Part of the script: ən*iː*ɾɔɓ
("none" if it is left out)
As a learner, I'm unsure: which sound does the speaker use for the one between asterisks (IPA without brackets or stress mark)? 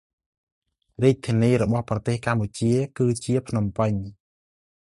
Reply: iː